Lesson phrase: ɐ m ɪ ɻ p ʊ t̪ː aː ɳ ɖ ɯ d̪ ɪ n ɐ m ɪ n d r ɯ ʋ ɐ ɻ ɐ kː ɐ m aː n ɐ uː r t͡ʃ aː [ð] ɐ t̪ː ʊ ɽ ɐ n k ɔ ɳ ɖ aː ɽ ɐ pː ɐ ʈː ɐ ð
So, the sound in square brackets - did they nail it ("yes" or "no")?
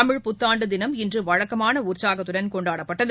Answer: no